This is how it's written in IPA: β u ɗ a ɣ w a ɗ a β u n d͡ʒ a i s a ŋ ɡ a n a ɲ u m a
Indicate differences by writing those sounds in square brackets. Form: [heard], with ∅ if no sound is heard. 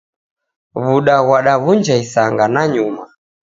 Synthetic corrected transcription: β u ɗ a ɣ w a ɗ a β u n d͡ʒ a i s a ŋ ɡ a n a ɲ u m a